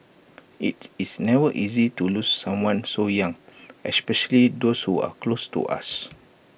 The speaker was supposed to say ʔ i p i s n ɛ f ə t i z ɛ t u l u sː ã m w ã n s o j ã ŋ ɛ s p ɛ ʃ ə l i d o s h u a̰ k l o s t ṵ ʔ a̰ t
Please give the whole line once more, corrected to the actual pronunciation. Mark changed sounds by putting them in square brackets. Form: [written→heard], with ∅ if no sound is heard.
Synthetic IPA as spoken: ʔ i [p→t] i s n ɛ [f→v] ə [t→ʔ] i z [ɛ→i] t u l u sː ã m w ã n s o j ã ŋ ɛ s p ɛ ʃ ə l i d o s h u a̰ k l o s t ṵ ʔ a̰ [t→s]